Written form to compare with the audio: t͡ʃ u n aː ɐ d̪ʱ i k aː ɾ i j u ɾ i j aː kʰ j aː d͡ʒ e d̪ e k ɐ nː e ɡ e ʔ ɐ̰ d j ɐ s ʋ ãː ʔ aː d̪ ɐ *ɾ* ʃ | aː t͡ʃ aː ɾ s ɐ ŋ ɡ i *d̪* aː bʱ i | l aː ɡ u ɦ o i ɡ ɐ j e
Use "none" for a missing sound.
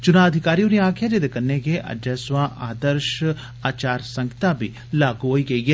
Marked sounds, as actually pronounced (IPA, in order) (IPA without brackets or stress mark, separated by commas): ɾ, t̪